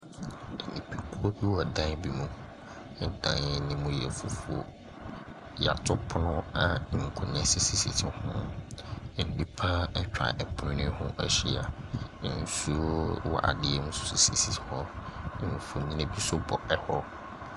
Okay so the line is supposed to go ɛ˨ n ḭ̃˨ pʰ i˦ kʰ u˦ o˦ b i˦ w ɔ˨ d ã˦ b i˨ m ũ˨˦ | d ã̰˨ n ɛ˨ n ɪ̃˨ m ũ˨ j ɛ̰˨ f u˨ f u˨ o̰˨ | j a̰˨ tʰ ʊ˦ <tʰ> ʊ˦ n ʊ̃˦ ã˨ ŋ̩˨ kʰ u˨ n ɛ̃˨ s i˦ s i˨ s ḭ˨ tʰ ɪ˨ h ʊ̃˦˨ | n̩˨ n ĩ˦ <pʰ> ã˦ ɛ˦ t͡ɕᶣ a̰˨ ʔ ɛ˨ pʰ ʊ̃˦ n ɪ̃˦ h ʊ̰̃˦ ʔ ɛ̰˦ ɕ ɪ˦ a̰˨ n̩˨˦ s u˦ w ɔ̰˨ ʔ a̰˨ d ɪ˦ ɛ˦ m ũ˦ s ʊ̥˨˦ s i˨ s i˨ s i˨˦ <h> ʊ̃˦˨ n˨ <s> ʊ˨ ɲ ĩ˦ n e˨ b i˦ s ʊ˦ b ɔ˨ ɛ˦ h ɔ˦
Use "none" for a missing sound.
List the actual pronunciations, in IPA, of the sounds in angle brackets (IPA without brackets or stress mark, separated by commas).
pʰ, pʰ, h, f